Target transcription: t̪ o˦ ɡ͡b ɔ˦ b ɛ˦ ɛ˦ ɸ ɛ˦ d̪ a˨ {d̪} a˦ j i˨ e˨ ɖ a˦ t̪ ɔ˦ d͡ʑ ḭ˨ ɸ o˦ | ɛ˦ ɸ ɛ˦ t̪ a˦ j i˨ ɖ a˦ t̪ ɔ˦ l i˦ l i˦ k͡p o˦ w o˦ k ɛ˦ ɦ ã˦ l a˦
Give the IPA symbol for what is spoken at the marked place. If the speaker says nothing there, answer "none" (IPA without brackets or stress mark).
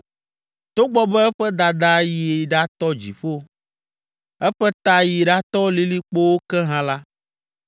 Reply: d̪